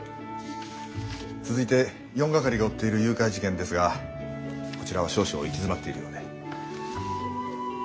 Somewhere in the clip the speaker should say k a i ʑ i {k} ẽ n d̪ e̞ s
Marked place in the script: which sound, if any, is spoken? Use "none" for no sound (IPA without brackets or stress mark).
k